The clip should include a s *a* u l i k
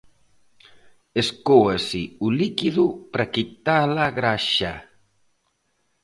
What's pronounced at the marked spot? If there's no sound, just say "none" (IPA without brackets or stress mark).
i